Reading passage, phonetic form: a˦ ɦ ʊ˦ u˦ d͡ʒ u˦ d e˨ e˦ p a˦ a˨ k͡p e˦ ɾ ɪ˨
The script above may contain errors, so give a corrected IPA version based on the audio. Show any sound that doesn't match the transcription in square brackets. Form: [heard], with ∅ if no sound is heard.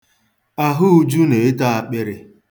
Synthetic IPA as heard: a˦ ɦ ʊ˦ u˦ d͡ʒ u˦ [n] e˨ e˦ [t] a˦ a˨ k͡p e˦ ɾ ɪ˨

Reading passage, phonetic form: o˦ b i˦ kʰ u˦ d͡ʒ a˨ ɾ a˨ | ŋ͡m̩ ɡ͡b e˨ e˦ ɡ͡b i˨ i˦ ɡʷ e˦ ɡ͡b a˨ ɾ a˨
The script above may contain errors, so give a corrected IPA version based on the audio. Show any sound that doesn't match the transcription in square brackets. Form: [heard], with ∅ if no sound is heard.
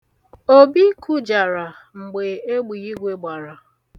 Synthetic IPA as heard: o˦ b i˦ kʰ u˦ d͡ʒ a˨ ɾ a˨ | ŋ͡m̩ ɡ͡b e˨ e˦ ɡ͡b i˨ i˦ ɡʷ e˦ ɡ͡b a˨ ɾ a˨

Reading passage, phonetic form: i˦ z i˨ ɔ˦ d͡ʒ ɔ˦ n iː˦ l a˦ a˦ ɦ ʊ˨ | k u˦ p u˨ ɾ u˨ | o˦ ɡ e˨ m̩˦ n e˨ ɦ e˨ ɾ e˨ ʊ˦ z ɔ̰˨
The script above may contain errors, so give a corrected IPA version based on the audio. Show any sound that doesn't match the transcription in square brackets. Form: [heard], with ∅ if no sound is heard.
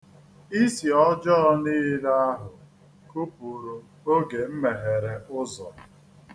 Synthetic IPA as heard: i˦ [s] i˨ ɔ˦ d͡ʒ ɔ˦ n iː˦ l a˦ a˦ ɦ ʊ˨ | k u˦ p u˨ ɾ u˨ | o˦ ɡ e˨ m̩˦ [m] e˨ ɦ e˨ ɾ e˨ ʊ˦ z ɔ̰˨

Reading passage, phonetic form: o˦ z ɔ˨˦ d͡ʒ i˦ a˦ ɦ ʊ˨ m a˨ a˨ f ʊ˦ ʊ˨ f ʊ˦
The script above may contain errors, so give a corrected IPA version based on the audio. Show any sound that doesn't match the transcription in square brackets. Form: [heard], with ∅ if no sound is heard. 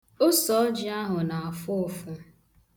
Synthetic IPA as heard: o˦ [s] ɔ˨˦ d͡ʒ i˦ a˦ ɦ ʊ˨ [n] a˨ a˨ f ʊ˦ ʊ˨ f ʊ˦

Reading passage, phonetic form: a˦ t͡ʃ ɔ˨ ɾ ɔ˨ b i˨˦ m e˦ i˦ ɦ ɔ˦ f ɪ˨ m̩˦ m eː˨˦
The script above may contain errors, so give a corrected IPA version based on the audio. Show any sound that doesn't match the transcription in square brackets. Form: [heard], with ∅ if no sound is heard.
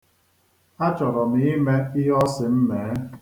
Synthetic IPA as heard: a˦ t͡ʃ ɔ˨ ɾ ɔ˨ [m] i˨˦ m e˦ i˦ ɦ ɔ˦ [s] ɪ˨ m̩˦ m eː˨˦

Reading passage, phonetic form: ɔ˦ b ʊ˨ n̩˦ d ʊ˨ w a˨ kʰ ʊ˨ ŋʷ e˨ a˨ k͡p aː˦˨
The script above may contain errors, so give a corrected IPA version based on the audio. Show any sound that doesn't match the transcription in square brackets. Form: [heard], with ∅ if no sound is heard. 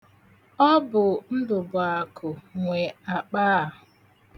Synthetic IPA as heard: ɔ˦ b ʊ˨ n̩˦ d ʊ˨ [b] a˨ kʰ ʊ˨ ŋʷ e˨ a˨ k͡p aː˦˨

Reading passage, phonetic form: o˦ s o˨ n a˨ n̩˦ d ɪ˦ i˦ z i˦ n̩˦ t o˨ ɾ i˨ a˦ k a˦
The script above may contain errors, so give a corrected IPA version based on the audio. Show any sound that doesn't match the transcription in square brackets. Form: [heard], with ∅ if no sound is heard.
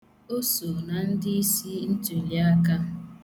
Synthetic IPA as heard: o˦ s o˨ n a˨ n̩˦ d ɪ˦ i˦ [s] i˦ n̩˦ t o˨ [l] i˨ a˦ k a˦

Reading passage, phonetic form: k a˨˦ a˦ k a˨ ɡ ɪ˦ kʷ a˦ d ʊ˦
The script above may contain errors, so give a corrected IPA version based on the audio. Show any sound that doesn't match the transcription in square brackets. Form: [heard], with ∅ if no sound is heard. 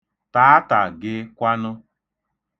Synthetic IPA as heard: [t] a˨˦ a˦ [t] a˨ ɡ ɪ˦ kʷ a˦ [n] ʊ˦

